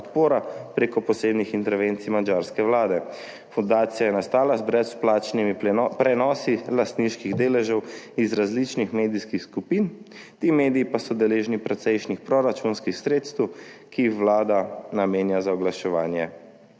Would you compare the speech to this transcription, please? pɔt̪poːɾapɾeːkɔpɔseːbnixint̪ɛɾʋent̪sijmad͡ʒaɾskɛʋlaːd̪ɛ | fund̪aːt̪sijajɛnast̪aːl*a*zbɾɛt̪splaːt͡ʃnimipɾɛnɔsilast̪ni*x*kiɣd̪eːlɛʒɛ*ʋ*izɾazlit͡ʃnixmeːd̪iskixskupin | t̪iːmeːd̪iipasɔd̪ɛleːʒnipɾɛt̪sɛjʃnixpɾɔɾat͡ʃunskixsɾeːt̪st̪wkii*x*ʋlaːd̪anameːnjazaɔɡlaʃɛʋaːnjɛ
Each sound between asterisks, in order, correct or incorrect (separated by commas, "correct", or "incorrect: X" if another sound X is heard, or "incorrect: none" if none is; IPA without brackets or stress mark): correct, incorrect: ʃ, incorrect: w, correct